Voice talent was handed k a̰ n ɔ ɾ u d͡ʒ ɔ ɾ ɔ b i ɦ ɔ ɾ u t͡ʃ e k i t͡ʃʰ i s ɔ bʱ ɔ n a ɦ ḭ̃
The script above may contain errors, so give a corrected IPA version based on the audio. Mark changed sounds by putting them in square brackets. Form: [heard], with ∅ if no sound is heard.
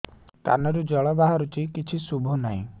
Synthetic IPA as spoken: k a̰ n ɔ ɾ u d͡ʒ ɔ [ɭ] ɔ b [a] ɦ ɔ ɾ u t͡ʃ [i] k i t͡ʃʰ i s [u] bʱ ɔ n a ɦ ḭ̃